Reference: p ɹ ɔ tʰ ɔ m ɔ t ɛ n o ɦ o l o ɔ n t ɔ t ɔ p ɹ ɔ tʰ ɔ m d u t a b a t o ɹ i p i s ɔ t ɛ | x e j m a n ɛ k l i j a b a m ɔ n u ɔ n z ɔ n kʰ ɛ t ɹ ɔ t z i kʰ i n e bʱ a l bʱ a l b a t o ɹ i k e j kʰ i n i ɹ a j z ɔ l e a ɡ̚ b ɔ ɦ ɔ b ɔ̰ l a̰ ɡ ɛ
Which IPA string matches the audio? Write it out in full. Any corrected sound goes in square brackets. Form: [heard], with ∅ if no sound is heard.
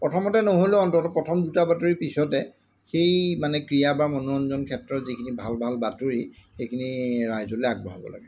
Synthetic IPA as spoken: p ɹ ɔ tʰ ɔ m ɔ t ɛ n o ɦ o l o ɔ n t ɔ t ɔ p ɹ ɔ tʰ ɔ m d u t a b a t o ɹ i p i s ɔ t ɛ | x e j m a n ɛ k [ɹ] i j a b a m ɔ n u ɔ n z ɔ n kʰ ɛ t ɹ ɔ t z i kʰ i n [i] bʱ a l bʱ a l b a t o ɹ i [x] e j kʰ i n i ɹ a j z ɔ l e a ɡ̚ b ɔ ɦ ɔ b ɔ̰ l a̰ ɡ ɛ